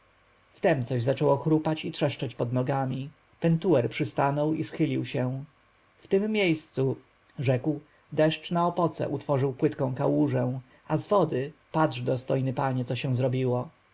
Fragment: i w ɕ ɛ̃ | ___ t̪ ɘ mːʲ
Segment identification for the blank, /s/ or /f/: f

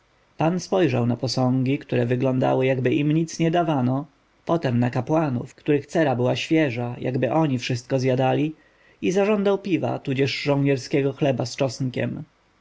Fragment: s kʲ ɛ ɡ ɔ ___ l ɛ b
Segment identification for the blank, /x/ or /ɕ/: x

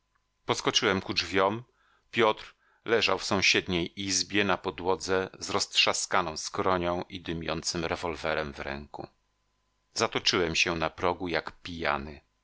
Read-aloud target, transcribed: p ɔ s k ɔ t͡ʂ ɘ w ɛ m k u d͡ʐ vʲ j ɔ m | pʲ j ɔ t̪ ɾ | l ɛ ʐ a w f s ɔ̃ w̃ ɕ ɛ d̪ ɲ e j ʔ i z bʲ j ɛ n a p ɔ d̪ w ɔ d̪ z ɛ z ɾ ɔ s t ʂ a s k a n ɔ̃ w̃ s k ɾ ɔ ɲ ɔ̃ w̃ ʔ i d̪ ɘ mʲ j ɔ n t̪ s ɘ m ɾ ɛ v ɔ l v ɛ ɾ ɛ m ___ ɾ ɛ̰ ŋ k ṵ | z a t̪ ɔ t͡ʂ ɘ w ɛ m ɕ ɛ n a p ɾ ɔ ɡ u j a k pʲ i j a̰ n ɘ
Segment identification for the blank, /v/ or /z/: v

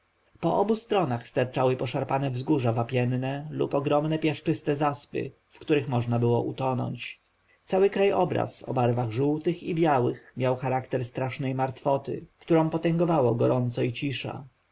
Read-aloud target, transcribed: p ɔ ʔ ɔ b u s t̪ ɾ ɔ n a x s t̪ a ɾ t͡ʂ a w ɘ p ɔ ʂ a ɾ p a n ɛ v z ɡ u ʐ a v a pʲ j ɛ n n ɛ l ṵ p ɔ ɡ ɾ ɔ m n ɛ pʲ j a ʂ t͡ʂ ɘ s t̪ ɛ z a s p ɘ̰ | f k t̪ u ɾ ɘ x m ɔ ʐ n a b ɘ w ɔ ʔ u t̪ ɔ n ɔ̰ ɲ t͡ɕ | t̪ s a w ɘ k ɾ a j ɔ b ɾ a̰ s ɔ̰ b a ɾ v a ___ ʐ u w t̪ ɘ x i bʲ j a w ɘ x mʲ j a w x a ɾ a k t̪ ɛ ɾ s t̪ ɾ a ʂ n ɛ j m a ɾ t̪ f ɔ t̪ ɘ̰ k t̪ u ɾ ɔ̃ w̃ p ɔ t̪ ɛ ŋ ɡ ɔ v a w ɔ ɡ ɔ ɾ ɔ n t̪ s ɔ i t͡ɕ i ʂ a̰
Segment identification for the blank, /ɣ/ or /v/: ɣ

